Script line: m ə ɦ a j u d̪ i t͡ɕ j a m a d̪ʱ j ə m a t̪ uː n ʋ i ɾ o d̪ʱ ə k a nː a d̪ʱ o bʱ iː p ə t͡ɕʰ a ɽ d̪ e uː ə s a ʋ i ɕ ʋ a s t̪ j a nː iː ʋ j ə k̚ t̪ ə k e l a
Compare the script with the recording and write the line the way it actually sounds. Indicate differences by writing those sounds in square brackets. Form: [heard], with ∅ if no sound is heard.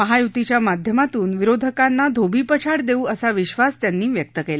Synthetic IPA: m ə ɦ a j u [t̪] i t͡ɕ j a m a d̪ʱ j ə m a t̪ uː n ʋ i ɾ o d̪ʱ ə k a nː a d̪ʱ o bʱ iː p ə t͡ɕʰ a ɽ d̪ e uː ə s a ʋ i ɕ ʋ a s t̪ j a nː iː ʋ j ə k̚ t̪ ə k e l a